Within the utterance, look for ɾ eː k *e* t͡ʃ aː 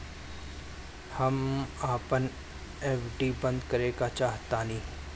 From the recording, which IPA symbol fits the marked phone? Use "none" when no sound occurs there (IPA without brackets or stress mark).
a